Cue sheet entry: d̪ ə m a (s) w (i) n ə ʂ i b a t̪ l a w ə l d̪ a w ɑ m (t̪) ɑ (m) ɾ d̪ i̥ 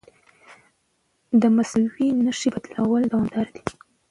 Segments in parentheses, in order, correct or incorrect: correct, correct, incorrect, incorrect

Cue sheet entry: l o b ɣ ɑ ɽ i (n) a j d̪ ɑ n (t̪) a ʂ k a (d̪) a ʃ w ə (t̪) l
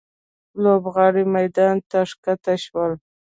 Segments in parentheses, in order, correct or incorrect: incorrect, correct, incorrect, incorrect

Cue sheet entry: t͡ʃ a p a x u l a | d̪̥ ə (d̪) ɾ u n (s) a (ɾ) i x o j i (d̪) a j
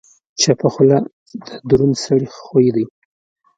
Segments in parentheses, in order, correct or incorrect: correct, correct, incorrect, correct

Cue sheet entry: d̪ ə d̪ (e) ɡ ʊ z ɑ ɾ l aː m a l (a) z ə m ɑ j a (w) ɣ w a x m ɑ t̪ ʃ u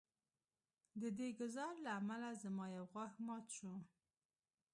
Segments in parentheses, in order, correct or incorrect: correct, correct, correct

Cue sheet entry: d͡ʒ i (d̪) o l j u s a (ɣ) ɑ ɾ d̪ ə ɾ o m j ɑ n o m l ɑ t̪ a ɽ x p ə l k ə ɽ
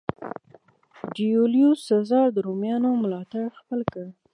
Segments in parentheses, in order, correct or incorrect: incorrect, incorrect

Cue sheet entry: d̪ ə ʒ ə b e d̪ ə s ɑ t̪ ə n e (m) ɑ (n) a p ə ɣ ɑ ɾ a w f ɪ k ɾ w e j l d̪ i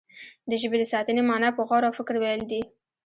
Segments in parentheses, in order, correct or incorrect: correct, correct

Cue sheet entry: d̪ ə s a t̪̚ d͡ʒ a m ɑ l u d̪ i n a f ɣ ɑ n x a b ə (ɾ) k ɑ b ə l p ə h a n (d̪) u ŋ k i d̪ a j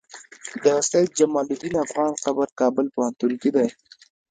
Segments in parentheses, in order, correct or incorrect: correct, incorrect

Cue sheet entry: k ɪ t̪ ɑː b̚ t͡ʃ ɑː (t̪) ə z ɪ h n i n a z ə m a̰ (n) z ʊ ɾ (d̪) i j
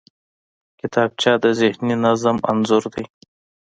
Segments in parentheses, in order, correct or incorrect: incorrect, correct, correct

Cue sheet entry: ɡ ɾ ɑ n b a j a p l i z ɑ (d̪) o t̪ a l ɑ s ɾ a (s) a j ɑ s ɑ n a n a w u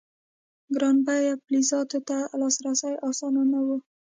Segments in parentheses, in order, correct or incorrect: incorrect, correct

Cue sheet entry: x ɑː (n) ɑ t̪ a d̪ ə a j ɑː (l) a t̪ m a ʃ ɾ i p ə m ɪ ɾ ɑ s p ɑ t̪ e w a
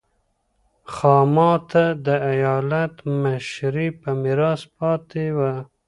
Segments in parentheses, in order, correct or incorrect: incorrect, correct

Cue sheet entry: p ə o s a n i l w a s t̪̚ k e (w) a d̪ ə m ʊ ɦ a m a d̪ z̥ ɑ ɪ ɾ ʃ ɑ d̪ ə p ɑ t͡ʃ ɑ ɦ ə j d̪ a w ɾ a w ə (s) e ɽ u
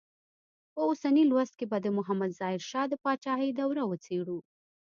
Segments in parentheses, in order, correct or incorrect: incorrect, incorrect

